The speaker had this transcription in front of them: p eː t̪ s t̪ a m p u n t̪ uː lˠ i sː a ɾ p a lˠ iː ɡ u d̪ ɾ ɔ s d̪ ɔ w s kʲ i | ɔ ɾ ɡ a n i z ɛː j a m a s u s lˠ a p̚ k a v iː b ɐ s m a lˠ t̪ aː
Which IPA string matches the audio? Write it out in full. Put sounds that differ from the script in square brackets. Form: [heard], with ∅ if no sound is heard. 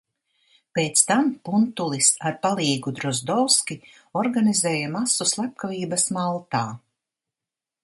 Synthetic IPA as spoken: p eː t̪ s t̪ a m p u n t̪ [u] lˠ i [s] a ɾ p a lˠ iː ɡ u d̪ ɾ ɔ [z] d̪ ɔ w s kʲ i | ɔ ɾ ɡ a n i z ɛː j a m a s u s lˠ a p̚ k a v iː b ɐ s m a lˠ t̪ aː

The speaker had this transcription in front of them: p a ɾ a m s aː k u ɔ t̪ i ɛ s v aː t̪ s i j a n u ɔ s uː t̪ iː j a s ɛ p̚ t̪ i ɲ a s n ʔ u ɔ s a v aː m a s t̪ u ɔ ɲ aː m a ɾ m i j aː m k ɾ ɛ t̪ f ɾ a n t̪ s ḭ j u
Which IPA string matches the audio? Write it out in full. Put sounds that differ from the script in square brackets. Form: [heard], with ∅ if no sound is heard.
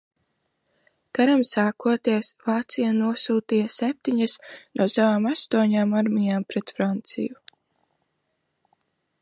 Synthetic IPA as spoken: [k] a ɾ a m s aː k u ɔ t̪ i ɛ s v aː t̪ s i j a n u ɔ s uː t̪ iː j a s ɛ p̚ t̪ i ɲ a s n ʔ u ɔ s a v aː m a s t̪ u ɔ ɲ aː m a ɾ m i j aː m [p] ɾ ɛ t̪ f ɾ a n t̪ s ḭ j u

